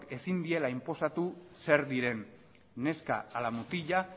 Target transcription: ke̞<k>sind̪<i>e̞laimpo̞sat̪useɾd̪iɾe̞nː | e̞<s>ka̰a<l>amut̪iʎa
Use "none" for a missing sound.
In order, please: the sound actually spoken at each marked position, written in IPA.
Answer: none, i, s, l

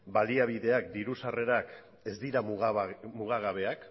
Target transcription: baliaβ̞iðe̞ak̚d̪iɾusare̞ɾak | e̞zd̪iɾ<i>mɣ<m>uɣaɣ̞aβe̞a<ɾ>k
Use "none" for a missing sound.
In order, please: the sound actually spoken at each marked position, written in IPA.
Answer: a, m, none

